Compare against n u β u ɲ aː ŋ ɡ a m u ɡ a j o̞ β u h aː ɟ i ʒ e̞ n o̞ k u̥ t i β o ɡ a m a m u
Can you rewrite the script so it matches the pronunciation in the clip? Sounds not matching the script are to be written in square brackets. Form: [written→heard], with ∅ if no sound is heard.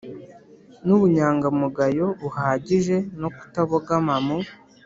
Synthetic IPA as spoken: n u β u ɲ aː ŋ ɡ a m u ɡ a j o̞ β u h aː ɟ i ʒ e̞ n o̞ k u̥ t [i→a] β o ɡ a m a m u